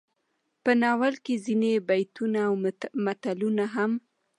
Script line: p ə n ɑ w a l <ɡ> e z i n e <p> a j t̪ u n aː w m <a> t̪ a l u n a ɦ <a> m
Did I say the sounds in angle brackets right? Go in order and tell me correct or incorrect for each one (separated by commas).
incorrect, incorrect, correct, correct